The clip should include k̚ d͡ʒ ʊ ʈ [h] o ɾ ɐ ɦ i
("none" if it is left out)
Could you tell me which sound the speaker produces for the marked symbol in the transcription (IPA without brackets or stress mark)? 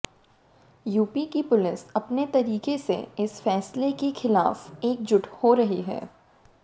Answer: h